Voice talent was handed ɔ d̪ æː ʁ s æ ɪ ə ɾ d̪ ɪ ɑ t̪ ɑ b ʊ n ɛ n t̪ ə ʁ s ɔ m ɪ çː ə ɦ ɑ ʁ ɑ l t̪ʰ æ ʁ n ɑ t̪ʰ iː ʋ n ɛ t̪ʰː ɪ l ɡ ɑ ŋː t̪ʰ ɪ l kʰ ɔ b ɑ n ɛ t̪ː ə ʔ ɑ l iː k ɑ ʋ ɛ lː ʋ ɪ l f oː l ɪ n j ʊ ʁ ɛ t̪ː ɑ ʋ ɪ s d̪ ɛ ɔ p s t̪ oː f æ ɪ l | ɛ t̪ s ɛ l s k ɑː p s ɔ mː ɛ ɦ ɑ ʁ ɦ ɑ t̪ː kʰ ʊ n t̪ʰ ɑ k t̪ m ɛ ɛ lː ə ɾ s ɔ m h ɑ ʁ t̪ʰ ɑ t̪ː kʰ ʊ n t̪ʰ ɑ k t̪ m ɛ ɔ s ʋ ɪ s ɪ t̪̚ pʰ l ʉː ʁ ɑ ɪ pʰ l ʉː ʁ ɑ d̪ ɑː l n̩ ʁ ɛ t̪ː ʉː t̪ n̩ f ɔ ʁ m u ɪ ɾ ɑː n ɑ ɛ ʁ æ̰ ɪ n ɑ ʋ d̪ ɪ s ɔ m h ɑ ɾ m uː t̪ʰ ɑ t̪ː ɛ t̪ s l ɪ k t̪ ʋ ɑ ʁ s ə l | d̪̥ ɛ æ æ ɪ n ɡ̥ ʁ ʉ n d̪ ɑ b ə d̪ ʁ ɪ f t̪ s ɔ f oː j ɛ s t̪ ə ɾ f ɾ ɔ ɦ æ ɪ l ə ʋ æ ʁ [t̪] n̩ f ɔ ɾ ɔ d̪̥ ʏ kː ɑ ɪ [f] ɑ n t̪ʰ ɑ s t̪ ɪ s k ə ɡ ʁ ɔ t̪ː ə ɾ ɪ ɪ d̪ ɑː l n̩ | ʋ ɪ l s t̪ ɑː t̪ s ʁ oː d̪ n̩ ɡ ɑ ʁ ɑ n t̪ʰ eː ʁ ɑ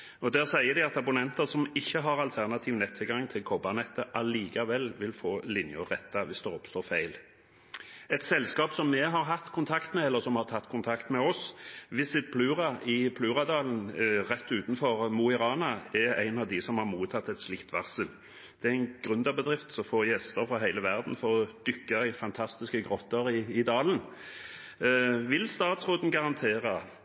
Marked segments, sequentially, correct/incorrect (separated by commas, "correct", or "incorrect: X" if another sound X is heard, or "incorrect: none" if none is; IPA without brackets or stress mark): incorrect: d̪, correct